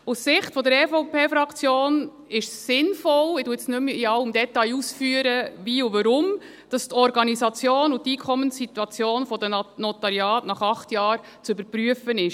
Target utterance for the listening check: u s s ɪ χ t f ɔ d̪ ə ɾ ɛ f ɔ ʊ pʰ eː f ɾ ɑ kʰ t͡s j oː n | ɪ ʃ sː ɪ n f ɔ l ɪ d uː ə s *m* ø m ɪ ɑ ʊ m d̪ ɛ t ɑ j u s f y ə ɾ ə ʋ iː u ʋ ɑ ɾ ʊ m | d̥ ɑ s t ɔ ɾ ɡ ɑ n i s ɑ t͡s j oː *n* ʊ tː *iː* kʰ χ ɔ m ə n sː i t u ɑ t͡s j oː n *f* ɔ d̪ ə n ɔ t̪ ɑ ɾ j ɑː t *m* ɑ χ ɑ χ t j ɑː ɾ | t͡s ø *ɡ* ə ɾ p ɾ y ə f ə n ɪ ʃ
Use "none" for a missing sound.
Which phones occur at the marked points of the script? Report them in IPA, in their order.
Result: n, n, iː, f, n, b

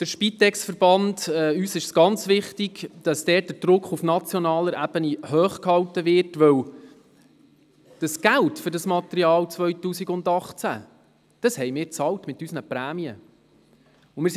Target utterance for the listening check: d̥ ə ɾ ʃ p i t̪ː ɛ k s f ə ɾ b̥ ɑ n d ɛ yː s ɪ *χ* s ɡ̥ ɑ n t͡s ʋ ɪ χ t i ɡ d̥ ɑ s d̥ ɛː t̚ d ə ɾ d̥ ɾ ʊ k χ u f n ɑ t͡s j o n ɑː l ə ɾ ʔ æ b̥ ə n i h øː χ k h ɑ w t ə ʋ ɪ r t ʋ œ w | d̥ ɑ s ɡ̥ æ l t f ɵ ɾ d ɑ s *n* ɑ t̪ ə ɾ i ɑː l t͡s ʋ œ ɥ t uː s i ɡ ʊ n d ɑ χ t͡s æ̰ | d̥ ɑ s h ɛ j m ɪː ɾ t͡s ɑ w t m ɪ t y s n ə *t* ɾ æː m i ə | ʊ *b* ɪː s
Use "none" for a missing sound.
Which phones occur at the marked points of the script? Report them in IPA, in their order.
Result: ʃ, m, p, m

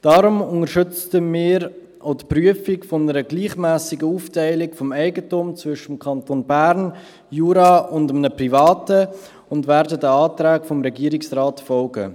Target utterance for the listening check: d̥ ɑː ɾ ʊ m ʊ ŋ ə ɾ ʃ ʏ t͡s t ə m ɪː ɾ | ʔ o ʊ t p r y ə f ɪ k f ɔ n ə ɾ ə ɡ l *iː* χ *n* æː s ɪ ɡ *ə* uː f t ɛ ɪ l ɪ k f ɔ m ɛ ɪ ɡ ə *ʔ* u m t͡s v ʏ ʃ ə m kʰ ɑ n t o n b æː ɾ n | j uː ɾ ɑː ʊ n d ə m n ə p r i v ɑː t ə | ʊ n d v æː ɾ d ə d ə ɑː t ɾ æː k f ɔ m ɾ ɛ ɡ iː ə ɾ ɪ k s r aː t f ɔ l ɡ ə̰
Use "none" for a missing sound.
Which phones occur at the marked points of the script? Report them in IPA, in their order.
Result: iː, m, ə, t

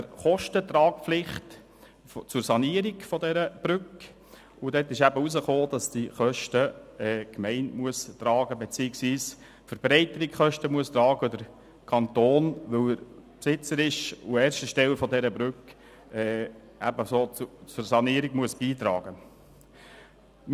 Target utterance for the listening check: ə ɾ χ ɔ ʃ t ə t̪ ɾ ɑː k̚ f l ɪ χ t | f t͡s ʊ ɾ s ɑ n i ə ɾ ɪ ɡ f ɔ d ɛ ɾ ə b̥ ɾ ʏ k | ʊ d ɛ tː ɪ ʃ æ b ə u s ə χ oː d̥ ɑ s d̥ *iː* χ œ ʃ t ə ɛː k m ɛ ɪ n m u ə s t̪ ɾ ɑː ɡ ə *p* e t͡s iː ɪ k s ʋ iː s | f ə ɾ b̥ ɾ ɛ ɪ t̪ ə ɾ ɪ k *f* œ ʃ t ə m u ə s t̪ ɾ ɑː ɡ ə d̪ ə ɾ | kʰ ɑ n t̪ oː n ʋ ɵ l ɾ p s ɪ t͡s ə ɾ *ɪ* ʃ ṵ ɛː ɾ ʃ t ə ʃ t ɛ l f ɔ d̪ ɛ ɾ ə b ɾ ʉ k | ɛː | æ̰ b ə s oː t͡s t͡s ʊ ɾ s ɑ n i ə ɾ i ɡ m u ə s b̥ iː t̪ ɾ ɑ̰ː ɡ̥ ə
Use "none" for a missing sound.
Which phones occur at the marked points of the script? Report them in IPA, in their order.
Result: i, b, χ, ɪ

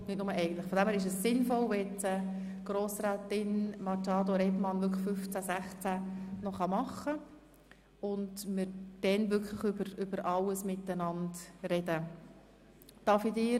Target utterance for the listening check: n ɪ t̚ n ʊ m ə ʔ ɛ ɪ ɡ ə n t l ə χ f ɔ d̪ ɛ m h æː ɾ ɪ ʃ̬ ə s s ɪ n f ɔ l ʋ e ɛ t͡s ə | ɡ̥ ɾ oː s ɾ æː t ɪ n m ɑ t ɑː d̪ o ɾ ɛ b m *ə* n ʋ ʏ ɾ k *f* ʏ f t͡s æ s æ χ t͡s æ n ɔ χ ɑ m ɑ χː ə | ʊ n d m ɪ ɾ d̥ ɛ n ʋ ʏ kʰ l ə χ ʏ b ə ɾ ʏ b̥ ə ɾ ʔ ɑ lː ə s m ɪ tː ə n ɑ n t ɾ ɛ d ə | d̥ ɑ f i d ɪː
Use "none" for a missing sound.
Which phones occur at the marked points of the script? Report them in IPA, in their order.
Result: ɑ, f

